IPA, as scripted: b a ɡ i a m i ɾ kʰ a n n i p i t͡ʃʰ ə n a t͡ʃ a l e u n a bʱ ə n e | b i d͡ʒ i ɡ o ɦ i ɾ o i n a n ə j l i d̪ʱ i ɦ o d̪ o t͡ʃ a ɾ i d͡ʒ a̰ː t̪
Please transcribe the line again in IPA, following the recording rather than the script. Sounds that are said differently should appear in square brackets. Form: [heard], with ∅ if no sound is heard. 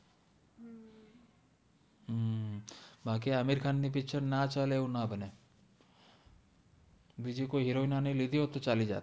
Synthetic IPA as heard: b a [k] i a m i ɾ kʰ a n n i p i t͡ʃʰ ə n a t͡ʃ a l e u n a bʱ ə n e | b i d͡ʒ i [k] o ɦ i ɾ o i n a n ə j l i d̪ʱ i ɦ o [t̪] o t͡ʃ a [l] i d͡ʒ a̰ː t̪